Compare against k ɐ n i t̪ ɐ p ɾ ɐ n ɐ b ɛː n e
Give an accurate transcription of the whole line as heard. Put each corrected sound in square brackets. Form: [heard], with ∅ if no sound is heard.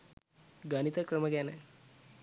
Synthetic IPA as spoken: [ɡ] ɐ n i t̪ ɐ [k] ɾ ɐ [m] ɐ [ɡ] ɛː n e